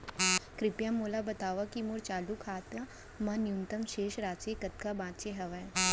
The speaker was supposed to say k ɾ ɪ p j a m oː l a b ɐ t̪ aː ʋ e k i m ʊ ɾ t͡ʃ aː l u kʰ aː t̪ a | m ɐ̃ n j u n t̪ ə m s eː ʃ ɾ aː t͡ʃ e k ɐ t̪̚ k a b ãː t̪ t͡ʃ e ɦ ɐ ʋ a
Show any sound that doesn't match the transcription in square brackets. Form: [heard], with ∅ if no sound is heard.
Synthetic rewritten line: k ɾ ɪ p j a m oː l a b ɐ t̪ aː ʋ [a] k i m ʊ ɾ t͡ʃ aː l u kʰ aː t̪ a | m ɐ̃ n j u n t̪ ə m [ʃ] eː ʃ ɾ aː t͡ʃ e k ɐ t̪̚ k a b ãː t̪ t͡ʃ e ɦ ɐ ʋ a

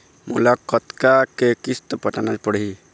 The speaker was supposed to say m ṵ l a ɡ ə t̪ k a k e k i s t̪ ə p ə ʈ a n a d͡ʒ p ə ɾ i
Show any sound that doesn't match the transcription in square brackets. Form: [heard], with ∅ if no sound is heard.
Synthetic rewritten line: m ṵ l a [k] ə t̪ k a k e k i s t̪ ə p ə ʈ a n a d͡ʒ p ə [ɽ] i

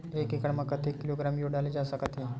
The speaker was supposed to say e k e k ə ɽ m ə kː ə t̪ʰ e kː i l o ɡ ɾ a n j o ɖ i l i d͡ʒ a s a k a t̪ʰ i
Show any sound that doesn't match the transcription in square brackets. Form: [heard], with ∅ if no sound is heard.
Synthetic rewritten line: e k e k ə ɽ m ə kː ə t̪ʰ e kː i l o ɡ ɾ a [m] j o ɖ [a] l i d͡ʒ a s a k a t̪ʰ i

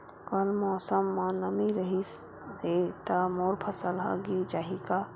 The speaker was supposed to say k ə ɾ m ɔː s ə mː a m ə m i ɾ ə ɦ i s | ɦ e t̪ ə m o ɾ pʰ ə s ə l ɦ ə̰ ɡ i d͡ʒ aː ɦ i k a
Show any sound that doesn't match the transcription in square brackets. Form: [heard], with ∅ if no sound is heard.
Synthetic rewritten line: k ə [l] m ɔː s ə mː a [n] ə m i ɾ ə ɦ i s | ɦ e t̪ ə m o ɾ pʰ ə s ə l ɦ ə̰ ɡ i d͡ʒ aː ɦ i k a

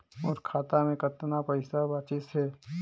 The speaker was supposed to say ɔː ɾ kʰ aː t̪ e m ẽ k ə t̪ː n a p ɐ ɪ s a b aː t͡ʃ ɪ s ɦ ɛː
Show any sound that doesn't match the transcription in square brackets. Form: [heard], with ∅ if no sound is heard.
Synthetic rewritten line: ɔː ɾ kʰ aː t̪ [a] m ẽ k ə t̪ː n a p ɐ ɪ s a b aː t͡ʃ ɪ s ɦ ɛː

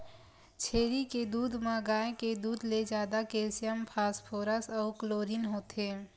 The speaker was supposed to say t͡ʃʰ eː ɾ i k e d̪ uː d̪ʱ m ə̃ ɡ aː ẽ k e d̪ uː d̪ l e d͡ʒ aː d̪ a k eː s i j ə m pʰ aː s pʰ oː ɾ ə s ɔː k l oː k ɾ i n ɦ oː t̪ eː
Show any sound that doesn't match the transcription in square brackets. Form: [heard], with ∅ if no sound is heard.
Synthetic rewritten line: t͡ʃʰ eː ɾ i k e d̪ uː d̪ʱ m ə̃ ɡ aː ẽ k e d̪ uː d̪ l e d͡ʒ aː d̪ a k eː s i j ə m pʰ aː s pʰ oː ɾ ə s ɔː k l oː [∅] ɾ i n ɦ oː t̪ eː

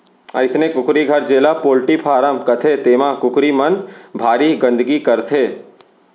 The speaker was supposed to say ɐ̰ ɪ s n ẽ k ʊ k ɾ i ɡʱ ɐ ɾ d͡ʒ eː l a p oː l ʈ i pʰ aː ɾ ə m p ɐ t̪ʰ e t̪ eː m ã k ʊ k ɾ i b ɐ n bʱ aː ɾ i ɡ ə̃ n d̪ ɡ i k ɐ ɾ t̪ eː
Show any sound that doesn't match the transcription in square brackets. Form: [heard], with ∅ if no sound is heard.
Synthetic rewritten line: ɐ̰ ɪ s n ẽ k ʊ k ɾ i ɡʱ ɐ ɾ d͡ʒ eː l a p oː l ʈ i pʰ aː ɾ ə m [k] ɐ t̪ʰ e t̪ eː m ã k ʊ k ɾ i [m] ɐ n bʱ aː ɾ i ɡ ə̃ n d̪ ɡ i k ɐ ɾ [t̪ʰ] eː

